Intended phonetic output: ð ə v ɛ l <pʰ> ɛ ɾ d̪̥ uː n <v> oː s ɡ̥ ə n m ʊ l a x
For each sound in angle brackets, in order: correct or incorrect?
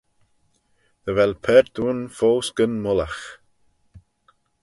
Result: correct, incorrect

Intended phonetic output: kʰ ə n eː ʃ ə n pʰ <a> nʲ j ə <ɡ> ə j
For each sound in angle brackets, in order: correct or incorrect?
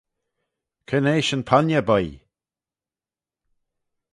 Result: correct, incorrect

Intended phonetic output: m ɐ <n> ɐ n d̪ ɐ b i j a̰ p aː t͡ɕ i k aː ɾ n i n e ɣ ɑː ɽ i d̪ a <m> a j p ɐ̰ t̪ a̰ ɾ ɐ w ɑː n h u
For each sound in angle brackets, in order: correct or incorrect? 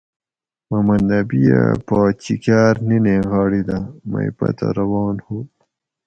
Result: incorrect, correct

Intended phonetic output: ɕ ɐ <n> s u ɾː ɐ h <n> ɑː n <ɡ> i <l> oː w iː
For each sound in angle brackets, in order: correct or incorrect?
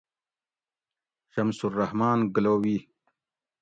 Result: incorrect, incorrect, correct, correct

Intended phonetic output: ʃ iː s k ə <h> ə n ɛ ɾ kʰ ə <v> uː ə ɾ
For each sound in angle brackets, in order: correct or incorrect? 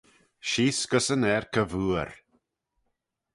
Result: incorrect, correct

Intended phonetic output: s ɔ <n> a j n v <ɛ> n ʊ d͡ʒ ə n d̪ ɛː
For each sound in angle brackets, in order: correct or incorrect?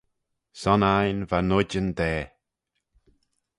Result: correct, incorrect

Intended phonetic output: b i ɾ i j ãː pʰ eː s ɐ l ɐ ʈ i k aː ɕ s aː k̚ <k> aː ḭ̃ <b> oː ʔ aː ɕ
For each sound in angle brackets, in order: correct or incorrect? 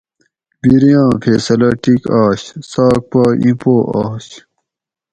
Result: incorrect, incorrect

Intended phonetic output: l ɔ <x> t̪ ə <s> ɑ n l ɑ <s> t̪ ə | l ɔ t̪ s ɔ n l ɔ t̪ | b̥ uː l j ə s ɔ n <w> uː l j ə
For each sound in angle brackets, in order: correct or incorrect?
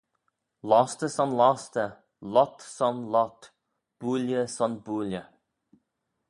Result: incorrect, correct, correct, incorrect

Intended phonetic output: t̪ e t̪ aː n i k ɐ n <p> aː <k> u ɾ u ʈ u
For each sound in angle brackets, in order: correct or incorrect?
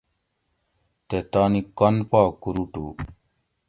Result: correct, correct

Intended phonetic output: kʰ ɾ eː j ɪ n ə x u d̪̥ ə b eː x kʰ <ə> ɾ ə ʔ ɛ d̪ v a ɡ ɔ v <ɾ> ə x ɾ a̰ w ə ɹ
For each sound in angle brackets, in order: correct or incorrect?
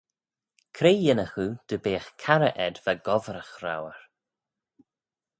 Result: incorrect, correct

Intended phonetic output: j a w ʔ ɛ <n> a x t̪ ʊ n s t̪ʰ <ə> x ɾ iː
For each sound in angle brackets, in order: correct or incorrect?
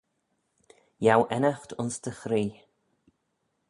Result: correct, correct

